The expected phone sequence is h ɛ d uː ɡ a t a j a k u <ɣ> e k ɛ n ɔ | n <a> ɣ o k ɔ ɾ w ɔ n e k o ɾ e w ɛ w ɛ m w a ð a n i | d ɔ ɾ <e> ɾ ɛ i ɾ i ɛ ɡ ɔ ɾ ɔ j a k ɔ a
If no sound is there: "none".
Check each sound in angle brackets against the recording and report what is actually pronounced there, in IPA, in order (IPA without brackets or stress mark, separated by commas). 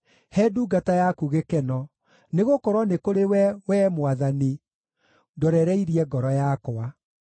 ɣ, e, ɛ